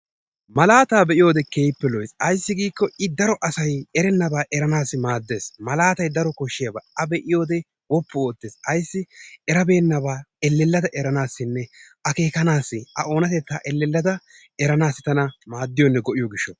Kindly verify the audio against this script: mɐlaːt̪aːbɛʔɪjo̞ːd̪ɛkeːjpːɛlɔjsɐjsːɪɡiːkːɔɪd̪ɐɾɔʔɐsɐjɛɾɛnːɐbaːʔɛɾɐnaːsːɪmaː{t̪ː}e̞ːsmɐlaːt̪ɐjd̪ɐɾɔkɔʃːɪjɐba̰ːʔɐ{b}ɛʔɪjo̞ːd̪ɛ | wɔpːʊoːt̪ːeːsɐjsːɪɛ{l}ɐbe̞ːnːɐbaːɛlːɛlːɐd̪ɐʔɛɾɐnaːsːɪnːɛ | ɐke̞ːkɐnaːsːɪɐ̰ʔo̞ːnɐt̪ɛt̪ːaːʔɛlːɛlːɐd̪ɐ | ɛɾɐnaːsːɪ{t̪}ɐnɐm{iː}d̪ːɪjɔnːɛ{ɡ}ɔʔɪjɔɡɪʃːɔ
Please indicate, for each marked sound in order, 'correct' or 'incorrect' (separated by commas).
incorrect, correct, incorrect, correct, incorrect, correct